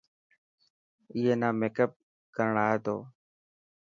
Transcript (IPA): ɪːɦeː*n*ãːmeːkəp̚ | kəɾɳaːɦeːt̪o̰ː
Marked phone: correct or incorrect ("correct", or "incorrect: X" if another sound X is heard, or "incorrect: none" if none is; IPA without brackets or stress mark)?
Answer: correct